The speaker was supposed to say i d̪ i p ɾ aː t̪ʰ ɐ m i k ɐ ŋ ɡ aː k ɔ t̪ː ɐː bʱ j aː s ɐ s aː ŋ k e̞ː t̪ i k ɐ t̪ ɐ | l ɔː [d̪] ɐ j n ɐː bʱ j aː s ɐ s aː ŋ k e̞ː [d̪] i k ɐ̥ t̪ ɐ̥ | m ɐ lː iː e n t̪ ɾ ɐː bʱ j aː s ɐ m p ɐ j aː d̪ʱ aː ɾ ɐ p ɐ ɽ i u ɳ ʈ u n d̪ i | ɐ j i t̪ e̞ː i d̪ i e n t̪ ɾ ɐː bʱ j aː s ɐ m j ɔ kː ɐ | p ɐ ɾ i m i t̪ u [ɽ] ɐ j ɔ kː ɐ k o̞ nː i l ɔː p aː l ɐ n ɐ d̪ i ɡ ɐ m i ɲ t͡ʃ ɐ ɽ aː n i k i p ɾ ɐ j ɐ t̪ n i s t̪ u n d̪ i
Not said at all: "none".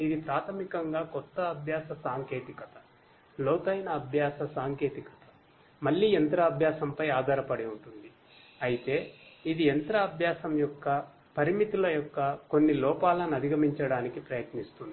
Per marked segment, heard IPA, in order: t̪, t̪, l

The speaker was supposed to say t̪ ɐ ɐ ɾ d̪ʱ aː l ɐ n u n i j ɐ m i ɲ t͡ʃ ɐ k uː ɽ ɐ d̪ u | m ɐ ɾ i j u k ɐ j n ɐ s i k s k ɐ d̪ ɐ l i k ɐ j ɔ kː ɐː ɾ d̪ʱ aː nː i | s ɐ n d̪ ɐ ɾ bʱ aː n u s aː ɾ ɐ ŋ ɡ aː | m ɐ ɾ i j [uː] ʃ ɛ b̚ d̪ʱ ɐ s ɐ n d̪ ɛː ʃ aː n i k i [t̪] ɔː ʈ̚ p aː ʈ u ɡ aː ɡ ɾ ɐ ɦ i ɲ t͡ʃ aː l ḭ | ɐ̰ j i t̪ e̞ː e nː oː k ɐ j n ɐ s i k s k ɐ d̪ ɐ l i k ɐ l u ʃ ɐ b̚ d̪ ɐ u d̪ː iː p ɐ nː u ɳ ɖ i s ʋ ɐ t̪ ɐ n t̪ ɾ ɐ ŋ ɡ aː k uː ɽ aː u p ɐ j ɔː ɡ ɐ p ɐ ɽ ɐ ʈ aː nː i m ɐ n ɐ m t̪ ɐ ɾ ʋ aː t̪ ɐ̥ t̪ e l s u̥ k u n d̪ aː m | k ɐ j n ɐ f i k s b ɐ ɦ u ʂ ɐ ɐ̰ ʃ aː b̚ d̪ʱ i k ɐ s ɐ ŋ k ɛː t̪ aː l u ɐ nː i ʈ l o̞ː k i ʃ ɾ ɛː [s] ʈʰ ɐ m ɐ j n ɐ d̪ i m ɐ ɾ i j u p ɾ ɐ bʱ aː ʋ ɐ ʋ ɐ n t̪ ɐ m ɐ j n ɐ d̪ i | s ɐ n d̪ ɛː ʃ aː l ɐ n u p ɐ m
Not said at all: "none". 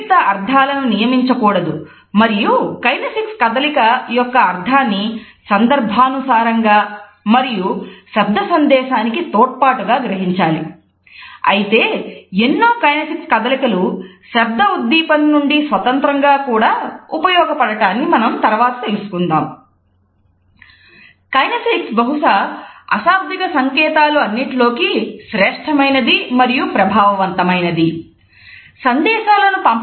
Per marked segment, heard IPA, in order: u, t̪, ʂ

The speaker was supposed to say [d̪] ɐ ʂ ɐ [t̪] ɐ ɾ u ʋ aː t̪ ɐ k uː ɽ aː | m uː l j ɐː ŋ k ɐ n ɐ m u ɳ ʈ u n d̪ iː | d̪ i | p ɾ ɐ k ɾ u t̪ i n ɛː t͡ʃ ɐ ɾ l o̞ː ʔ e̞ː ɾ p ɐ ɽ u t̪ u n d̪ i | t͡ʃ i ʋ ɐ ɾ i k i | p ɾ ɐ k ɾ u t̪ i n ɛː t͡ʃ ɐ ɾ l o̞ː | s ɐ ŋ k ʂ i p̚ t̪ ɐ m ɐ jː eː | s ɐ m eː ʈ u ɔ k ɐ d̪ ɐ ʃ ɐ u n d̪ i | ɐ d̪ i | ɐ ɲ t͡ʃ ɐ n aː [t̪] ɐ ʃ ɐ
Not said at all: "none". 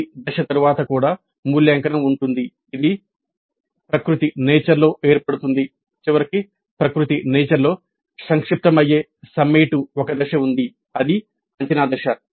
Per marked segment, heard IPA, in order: d̪, t̪, d̪

